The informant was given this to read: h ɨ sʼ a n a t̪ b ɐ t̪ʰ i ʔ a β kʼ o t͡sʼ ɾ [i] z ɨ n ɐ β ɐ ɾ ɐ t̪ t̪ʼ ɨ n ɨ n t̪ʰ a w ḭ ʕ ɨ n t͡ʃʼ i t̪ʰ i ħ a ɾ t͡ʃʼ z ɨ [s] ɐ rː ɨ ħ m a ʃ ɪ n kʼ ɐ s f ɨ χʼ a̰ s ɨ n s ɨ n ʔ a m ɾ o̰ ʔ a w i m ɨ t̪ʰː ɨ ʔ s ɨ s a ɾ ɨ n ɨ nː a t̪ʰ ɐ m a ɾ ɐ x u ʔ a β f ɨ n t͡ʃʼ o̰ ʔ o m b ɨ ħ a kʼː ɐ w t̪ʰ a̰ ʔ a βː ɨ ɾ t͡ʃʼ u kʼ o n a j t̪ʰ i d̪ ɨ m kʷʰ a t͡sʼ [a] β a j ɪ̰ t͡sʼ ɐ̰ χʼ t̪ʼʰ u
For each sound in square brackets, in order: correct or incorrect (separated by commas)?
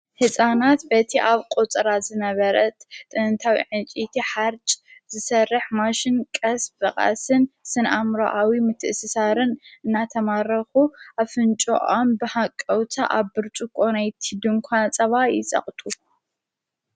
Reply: incorrect, correct, incorrect